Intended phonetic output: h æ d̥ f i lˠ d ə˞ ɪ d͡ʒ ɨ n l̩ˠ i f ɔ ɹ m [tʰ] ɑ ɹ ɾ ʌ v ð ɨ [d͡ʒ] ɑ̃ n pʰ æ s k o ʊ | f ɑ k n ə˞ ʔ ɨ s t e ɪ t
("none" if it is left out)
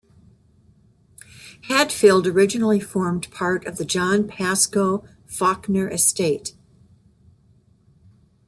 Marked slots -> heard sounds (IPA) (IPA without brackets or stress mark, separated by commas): pʰ, d͡ʒ